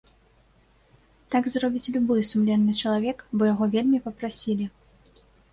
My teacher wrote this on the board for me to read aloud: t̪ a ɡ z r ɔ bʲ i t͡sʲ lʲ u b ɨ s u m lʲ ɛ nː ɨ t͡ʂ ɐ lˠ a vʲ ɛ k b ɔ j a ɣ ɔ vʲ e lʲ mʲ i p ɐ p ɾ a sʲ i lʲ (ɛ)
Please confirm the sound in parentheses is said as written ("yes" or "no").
no